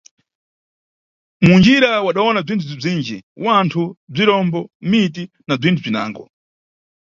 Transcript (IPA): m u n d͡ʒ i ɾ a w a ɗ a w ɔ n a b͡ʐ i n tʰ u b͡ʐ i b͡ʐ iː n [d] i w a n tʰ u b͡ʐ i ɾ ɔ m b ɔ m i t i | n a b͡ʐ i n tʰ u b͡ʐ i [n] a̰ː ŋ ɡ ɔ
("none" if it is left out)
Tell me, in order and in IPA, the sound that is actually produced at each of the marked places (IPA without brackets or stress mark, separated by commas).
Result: d͡ʒ, n